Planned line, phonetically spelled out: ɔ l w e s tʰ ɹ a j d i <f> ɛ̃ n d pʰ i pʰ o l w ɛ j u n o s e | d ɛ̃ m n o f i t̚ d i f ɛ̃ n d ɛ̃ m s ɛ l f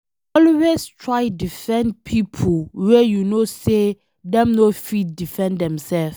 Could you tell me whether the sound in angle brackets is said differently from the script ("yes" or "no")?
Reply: no